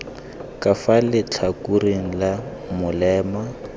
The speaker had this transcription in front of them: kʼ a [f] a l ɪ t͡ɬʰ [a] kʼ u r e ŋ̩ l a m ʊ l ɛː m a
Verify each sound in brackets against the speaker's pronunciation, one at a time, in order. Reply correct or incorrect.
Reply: correct, correct

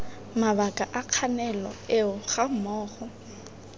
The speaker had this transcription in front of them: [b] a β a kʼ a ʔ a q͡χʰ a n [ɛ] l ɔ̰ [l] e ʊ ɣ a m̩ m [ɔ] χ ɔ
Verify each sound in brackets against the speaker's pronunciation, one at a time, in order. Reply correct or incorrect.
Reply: incorrect: m, correct, incorrect: none, incorrect: ɔː

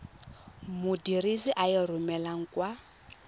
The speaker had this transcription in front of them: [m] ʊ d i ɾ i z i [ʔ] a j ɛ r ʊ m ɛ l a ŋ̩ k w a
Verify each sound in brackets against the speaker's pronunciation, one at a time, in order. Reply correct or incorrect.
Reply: correct, correct

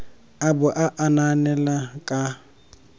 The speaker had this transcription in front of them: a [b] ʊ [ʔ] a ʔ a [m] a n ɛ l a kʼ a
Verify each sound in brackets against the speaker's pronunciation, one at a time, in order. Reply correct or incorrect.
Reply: correct, correct, incorrect: n

